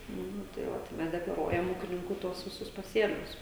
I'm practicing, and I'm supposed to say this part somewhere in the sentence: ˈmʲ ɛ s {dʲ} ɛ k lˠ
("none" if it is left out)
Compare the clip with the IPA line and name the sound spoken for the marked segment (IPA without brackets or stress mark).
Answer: dʲ